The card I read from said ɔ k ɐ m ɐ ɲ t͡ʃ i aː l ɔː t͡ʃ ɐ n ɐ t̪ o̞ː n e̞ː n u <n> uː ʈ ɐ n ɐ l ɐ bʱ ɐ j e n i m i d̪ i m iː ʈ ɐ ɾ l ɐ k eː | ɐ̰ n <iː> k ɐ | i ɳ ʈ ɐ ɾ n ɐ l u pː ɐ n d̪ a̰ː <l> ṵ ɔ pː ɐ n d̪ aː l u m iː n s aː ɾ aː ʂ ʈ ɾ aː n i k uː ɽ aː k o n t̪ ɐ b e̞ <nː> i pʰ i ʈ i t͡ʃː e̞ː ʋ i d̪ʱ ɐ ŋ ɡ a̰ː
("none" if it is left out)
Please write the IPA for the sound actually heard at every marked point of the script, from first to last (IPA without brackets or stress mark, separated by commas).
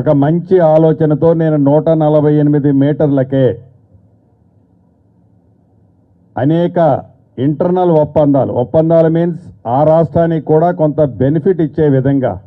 n, ɛː, l, n